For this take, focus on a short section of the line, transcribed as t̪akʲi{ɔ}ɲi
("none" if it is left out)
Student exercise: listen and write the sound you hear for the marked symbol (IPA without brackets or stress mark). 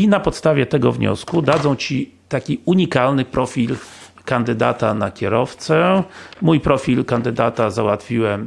u